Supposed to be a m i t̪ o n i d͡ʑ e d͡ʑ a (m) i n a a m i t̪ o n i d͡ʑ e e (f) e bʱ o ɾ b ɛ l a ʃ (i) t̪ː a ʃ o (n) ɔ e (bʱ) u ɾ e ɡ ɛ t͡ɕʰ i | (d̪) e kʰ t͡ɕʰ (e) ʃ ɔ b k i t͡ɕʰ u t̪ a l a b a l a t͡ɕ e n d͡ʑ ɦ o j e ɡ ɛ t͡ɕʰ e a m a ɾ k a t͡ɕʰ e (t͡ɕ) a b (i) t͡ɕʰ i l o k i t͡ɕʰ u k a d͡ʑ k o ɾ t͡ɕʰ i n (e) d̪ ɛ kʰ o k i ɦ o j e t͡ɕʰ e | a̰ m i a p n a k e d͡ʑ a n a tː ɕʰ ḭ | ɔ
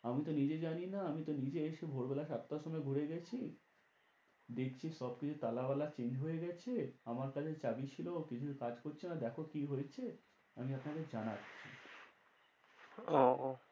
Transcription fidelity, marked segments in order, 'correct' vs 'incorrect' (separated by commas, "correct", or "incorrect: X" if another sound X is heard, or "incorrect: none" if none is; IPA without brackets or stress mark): incorrect: n, incorrect: ʃ, incorrect: a, incorrect: m, incorrect: ɡʱ, correct, incorrect: i, correct, correct, incorrect: a